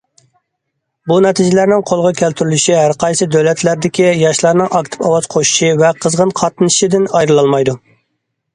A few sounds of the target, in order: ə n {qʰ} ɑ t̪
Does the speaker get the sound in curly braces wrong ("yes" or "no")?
no